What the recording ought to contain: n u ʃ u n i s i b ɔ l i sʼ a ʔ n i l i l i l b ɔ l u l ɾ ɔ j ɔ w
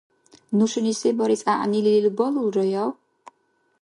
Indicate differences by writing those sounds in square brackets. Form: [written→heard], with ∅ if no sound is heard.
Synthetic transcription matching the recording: n u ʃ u n i s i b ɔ [l→ɾ] i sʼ a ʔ n i l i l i l b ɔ l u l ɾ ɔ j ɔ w